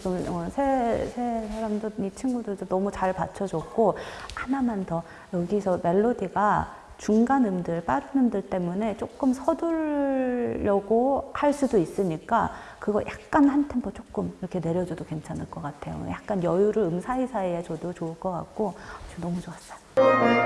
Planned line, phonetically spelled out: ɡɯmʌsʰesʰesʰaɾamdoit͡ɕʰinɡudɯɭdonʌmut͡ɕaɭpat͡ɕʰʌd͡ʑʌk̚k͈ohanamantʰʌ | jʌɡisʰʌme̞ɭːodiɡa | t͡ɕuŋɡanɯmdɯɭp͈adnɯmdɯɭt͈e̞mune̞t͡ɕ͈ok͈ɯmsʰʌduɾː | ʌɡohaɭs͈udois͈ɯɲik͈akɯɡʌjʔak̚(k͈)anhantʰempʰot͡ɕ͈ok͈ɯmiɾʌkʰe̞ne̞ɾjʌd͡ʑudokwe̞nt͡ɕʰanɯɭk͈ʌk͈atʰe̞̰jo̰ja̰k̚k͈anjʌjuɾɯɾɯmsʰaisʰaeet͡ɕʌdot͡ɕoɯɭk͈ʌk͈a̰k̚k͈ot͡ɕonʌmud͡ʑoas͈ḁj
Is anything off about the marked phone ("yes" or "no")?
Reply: no